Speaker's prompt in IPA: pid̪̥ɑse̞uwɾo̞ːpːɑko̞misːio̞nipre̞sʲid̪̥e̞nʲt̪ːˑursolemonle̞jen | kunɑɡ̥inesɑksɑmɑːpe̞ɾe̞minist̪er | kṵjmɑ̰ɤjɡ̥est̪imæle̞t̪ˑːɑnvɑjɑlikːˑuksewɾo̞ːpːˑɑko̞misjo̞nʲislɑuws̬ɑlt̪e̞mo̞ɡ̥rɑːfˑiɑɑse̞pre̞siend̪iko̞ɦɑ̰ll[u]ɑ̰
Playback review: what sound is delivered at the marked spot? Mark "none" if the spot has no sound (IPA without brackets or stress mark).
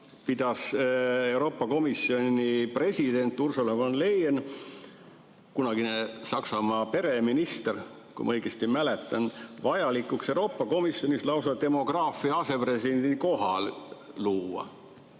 uː